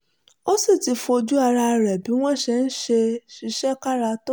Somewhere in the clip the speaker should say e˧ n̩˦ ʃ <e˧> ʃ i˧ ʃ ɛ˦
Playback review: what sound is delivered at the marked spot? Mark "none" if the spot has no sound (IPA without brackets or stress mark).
e˧